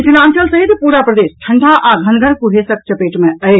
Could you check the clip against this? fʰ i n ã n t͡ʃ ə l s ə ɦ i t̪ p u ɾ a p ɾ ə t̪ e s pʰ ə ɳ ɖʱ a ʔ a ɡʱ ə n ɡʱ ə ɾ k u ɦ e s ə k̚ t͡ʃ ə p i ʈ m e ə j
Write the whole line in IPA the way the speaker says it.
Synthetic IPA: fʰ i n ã n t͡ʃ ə l s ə ɦ i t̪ p u ɾ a p ɾ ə d̪ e s ʈʰ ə ɳ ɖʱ a ʔ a ɡʱ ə n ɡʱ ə ɾ k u ɦ e s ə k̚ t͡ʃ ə p e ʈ m e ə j

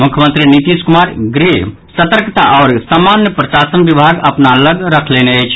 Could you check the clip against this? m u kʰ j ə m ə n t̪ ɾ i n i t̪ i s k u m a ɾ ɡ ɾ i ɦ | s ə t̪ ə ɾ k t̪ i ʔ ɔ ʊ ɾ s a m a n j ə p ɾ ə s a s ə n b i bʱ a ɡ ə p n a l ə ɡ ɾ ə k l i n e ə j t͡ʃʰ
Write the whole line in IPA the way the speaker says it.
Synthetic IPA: m u kʰ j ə m ə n t̪ ɾ i n i t̪ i s k u m a ɾ ɡ ɾ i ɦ | s ə t̪ ə ɾ k t̪ a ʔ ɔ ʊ ɾ s a m a n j ə p ɾ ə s a s ə n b i bʱ a ɡ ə p n a l ə ɡ ɾ ə kʰ l e n e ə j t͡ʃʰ

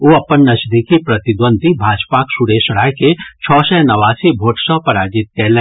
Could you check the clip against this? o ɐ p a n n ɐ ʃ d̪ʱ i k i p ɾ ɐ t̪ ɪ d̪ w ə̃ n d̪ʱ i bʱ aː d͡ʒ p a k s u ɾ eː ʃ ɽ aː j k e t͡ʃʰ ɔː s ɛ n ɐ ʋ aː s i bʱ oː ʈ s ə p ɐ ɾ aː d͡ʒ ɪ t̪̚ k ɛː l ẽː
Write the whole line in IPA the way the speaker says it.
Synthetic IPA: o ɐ p ə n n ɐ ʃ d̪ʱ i k i p ɾ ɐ t̪ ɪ d̪ w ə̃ n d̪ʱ i bʱ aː d͡ʒ p a k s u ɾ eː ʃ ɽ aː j k e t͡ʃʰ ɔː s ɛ n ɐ ʋ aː s i bʱ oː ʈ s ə p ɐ ɾ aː d͡ʒ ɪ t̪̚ k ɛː l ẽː

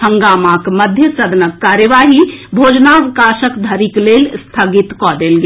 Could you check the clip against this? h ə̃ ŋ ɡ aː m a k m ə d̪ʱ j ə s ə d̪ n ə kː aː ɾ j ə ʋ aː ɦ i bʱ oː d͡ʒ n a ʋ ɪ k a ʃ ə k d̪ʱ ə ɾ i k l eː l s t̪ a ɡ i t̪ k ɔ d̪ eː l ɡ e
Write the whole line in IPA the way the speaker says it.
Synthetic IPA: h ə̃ ŋ ɡ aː m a k m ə d̪ʱ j ə s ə d̪ n ə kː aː ɾ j ə ʋ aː ɦ i bʱ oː d͡ʒ n a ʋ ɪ k a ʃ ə k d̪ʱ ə ɾ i k l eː l s t̪ʰ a ɡ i t̪ k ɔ d̪ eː l ɡ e

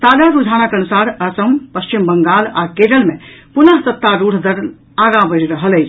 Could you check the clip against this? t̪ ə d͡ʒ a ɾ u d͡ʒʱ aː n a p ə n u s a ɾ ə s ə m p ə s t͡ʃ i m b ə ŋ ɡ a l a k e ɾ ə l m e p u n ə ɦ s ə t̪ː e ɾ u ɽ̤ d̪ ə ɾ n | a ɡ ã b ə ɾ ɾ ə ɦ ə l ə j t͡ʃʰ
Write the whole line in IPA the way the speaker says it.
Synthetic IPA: t̪ a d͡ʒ a ɾ u d͡ʒʱ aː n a k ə n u s a ɾ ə s ə m p ə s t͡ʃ i m b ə ŋ ɡ a l a k e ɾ ə l m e p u n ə ɦ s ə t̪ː a ɾ u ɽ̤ d̪ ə ɾ n | a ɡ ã b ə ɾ ɾ ə ɦ ə l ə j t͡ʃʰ

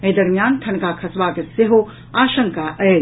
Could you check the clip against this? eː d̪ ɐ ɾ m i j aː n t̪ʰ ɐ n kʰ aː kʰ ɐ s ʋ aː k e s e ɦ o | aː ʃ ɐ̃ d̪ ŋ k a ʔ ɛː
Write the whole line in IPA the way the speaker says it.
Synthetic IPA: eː d̪ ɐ ɾ m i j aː n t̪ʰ ɐ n k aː kʰ ɐ s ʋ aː k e s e ɦ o | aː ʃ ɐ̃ ŋ k a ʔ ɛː

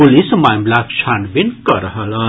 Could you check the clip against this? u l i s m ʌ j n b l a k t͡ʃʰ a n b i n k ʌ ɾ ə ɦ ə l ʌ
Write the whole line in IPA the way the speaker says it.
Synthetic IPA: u l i s m a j m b l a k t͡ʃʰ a n b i n k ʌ ɾ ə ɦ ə l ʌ

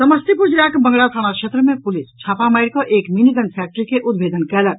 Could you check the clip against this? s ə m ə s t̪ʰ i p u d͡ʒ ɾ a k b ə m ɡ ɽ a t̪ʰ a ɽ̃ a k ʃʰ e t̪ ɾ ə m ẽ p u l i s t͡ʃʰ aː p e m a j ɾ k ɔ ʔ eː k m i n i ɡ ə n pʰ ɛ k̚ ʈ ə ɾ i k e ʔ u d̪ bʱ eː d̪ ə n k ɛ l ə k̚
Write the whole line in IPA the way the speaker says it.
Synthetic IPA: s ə m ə s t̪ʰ i p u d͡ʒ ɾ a k b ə ŋ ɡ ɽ a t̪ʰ a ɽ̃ a k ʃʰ e t̪ ɾ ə m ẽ p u l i s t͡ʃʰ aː p a m a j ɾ k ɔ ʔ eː k m i n i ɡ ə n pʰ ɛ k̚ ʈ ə ɾ i k e ʔ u d̪ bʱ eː d̪ ə n k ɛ l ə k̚

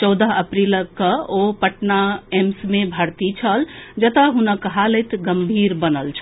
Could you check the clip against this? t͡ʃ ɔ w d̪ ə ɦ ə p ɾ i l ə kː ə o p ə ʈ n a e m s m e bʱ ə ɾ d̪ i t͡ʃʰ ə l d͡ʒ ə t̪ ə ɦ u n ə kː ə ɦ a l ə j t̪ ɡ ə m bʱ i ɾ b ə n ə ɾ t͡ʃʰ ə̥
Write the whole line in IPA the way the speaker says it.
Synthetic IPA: t͡ʃ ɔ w d̪ ə ɦ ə p ɾ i l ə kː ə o p ə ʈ n a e m s m e bʱ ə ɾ t̪ i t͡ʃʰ ə l d͡ʒ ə t̪ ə ɦ u n ə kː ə ɦ a l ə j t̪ ɡ ə m bʱ i ɾ b ə n ə l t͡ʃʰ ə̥

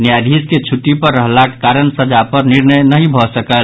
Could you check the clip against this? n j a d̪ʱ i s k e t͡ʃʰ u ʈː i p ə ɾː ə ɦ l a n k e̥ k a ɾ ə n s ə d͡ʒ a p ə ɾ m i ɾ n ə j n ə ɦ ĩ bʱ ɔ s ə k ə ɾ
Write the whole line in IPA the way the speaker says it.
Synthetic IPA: n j a d̪ʱ i s k e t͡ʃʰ u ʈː i p ə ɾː ə ɦ l a k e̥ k a ɾ ə n s ə d͡ʒ a p ə ɾ n i ɾ n ə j n ə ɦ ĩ bʱ ɔ s ə k ə l

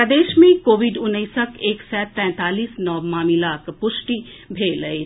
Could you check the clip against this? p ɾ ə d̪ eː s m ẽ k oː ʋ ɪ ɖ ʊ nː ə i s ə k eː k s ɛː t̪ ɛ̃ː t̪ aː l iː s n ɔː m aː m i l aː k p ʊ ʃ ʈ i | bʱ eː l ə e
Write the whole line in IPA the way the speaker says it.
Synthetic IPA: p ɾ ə d̪ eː ʃ m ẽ k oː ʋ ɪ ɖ ʊ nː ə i s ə k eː k s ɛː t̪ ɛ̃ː t̪ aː l iː s n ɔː m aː m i l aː k p ʊ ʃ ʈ i | bʱ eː l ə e

